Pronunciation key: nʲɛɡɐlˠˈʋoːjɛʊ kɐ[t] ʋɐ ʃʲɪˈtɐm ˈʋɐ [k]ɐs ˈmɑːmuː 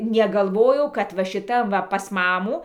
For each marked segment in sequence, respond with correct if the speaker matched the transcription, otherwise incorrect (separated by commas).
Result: correct, incorrect